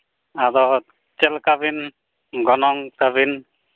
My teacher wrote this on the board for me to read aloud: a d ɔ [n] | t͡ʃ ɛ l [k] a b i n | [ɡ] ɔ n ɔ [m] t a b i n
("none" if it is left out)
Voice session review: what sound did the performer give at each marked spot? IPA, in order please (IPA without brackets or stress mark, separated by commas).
none, k, ɡ, ŋ